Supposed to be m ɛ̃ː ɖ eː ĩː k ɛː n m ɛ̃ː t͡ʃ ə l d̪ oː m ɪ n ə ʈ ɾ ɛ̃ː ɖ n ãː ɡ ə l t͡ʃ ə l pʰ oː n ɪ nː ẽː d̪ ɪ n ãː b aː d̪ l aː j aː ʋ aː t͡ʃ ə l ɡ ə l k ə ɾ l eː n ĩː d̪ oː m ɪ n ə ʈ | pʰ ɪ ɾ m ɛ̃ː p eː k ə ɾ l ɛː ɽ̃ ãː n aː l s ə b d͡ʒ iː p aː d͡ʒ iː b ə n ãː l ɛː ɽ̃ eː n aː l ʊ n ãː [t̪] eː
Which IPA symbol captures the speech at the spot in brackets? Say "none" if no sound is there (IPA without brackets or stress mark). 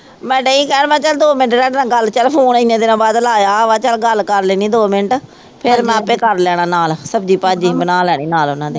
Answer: d̪